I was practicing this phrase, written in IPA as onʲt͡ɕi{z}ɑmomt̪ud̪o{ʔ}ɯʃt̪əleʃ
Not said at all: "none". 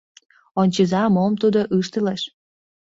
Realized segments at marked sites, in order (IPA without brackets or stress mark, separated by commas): z, ʔ